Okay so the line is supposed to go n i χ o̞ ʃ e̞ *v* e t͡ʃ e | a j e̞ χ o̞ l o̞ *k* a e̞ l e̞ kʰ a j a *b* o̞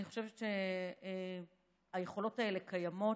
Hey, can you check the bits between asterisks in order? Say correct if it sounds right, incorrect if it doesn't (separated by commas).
correct, incorrect, incorrect